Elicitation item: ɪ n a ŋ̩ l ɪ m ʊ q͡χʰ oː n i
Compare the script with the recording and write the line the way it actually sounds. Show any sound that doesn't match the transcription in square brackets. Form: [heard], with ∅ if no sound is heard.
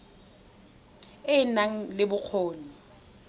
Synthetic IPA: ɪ n a ŋ̩ l ɪ [b] ʊ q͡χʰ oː n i

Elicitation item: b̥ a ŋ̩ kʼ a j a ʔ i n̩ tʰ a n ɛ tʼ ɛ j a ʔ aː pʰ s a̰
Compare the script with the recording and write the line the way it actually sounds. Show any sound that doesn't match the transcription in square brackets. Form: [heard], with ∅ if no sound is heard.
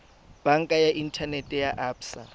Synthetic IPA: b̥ a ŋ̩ kʼ a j a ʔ i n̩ tʰ a n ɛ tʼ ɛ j a ʔ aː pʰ s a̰

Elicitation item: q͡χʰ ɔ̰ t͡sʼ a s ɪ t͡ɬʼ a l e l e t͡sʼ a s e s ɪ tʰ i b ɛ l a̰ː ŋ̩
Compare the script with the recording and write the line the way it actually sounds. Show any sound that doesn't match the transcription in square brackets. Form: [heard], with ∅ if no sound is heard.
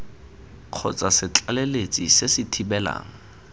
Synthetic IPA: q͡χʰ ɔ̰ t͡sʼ a s ɪ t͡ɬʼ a l e l e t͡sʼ [i] s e s ɪ tʰ i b ɛ l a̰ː ŋ̩

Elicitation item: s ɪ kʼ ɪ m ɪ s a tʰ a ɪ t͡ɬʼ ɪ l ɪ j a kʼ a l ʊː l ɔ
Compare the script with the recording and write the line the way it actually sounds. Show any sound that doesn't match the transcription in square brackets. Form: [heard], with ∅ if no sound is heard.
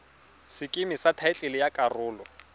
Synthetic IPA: s ɪ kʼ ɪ m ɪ s a tʰ a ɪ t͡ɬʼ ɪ l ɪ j a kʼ a [r] ʊː l ɔ

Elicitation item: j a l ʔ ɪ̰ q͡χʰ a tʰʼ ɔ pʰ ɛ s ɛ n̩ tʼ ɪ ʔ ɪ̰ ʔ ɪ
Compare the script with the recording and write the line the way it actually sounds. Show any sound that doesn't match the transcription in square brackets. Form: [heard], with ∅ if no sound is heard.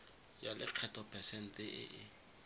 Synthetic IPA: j a l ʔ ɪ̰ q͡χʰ [ɛ] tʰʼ ɔ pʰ ɛ s ɛ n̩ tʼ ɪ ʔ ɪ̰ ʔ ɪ

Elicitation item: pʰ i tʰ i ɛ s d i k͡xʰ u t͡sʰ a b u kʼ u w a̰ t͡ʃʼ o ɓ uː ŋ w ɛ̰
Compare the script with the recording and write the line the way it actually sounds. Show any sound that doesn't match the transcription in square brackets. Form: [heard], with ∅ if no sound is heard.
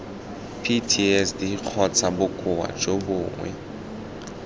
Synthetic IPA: pʰ i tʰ i ɛ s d i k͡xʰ [ɔ] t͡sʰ a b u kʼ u w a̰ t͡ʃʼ o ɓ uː ŋ w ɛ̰

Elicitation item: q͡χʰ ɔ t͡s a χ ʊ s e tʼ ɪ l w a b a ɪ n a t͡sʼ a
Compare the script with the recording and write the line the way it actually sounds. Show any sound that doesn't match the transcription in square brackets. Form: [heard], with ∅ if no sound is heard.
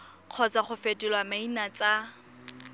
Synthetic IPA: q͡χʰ ɔ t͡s a χ ʊ [f] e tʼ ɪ l w a [m] a [i] n a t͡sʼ a

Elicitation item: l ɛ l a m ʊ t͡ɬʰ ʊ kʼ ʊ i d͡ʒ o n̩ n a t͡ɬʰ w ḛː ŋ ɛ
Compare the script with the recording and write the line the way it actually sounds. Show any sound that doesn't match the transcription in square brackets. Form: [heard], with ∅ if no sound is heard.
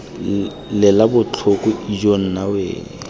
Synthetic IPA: l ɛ l a [b] ʊ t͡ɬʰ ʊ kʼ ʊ i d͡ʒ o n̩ n a [∅] w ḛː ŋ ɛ

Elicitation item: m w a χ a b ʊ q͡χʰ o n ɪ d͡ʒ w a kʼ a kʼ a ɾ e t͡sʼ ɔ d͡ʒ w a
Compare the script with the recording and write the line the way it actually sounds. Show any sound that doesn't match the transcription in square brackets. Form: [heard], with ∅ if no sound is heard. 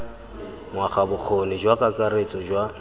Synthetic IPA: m w a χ a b ʊ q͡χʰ o n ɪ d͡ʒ w a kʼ a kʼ a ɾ e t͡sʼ ɔ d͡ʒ w a

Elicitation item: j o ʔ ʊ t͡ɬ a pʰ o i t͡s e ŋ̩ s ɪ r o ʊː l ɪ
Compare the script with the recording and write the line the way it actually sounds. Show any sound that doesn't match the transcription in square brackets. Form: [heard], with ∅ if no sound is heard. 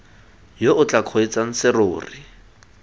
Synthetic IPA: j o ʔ ʊ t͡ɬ a [kʰ] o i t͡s [a] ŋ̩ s ɪ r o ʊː [r] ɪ

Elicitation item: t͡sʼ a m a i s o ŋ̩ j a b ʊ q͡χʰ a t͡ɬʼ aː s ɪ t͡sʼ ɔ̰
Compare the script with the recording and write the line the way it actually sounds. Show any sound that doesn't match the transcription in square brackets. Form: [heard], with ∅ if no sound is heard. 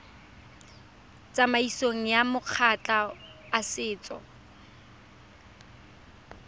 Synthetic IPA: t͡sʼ a m a i s o ŋ̩ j a [m] ʊ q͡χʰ a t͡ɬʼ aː s [ɪː] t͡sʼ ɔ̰

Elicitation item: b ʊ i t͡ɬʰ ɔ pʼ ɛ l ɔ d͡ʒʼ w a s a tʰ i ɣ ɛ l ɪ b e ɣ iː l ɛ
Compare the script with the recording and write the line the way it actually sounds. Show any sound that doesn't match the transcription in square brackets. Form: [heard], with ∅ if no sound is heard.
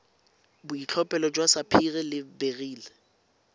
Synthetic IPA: b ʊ i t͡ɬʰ ɔ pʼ ɛ l ɔ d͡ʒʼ w a s a [pʰ] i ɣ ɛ l ɪ b e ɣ iː l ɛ

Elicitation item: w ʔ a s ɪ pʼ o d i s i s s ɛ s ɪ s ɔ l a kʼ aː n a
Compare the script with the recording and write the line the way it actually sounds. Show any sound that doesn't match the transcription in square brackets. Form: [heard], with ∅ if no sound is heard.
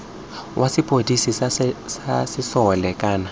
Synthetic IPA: w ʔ a s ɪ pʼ o d i s i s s [a] s ɪ s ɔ l [ɛ] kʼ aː n a

